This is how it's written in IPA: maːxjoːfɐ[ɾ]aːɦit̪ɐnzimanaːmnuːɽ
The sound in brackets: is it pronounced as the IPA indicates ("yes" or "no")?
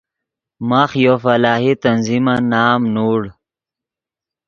no